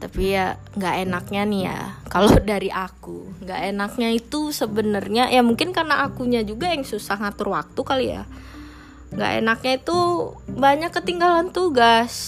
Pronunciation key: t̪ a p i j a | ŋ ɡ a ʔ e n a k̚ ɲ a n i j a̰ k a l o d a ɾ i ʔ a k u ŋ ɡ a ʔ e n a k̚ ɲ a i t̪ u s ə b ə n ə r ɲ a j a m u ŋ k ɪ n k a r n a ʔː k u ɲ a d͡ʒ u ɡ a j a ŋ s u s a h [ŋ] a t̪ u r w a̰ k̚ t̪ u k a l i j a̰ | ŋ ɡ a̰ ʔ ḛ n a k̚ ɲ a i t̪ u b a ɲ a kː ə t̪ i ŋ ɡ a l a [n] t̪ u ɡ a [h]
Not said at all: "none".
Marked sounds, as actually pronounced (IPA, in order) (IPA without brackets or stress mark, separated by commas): ŋ, n, s